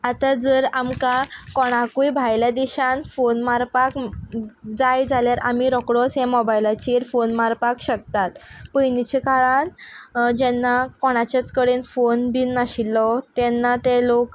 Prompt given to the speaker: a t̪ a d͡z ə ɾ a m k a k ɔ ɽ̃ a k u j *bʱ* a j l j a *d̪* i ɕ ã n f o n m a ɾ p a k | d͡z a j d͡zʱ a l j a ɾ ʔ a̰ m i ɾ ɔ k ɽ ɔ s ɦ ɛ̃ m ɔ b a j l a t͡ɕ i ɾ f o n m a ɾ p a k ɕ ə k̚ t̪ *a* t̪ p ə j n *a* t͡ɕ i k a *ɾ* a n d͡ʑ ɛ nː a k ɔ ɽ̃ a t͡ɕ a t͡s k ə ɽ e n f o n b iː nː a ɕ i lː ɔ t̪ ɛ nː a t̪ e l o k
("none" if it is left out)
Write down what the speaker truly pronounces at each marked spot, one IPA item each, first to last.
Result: bʱ, d̪, a, i, ɭ

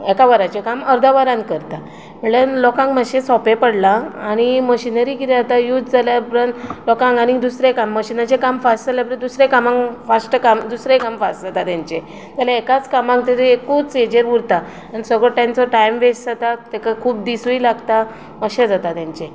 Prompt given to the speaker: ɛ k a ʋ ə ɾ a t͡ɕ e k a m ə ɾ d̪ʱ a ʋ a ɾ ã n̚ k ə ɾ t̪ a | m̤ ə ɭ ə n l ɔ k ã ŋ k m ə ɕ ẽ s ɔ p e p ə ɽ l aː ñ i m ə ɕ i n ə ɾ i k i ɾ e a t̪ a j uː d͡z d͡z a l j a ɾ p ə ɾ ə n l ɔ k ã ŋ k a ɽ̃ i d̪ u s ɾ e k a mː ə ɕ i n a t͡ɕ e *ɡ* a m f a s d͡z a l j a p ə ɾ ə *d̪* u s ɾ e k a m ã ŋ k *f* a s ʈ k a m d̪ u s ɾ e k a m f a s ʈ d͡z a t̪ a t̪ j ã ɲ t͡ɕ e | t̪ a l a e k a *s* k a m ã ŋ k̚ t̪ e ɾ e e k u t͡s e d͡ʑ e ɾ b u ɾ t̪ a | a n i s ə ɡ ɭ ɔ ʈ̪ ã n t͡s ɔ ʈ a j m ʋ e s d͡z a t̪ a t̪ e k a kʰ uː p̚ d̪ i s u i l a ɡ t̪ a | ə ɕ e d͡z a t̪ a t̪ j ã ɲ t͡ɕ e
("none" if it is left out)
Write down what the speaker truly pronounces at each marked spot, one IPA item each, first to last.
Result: k, d̪, f, t͡s

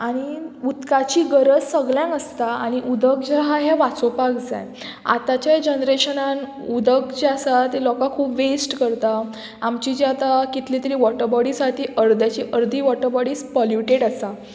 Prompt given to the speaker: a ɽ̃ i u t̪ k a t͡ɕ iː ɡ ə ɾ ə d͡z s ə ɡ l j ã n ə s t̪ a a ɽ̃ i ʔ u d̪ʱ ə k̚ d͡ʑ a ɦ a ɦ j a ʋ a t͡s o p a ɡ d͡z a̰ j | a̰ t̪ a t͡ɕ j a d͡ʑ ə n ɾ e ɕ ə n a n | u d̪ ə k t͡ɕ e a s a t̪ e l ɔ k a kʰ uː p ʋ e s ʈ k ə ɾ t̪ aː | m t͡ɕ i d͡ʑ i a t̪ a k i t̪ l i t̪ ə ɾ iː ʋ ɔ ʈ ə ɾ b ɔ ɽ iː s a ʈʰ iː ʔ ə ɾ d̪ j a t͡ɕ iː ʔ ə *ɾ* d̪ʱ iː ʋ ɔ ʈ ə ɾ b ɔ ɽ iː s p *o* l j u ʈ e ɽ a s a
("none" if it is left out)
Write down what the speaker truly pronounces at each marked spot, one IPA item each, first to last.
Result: ɾ, ɔ

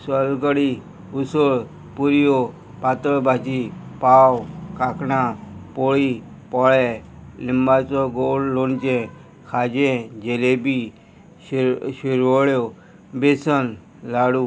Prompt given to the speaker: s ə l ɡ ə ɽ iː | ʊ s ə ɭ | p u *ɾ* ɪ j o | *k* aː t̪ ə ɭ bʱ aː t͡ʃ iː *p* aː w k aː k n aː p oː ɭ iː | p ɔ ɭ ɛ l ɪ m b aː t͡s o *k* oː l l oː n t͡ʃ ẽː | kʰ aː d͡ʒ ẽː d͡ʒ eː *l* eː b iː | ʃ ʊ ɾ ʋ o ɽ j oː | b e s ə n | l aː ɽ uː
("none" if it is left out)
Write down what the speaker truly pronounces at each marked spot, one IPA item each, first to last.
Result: ɾ, p, p, ɡ, l

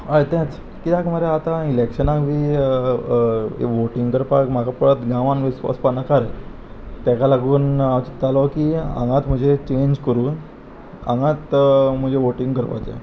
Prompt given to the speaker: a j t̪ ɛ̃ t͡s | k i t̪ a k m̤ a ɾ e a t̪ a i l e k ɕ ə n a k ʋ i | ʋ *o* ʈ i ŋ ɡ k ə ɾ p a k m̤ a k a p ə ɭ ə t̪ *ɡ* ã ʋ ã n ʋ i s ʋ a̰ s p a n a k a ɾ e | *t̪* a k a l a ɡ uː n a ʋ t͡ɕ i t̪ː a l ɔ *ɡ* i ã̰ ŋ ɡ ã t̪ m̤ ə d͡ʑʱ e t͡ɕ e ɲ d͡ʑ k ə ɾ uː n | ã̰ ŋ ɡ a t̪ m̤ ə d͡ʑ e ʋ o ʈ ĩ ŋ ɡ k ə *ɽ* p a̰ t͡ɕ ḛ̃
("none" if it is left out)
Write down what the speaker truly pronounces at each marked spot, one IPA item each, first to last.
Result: o, ɡ, t̪, k, ɾ

